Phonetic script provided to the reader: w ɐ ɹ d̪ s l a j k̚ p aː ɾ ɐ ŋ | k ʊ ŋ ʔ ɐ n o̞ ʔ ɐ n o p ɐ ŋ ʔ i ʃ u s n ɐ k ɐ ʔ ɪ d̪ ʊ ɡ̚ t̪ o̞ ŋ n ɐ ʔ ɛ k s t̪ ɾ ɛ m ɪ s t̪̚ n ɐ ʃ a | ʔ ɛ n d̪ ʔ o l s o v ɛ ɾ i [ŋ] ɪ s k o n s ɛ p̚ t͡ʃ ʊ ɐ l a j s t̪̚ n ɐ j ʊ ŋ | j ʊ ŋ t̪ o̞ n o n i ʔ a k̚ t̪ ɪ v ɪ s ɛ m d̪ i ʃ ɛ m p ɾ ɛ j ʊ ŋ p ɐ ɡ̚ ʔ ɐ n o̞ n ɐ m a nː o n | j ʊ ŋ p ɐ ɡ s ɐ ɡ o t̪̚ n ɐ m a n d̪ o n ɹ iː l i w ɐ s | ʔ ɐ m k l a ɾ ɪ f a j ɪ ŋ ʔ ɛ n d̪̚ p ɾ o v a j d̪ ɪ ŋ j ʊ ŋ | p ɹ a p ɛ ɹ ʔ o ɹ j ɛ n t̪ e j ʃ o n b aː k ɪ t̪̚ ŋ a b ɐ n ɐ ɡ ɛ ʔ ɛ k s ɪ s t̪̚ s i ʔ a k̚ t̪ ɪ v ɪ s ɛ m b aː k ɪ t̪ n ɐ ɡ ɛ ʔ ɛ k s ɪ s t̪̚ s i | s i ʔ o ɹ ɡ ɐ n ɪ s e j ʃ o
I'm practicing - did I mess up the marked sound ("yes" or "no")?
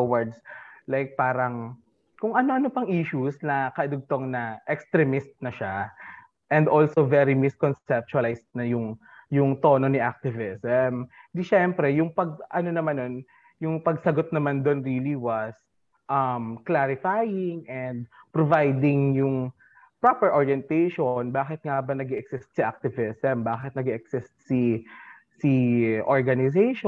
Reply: yes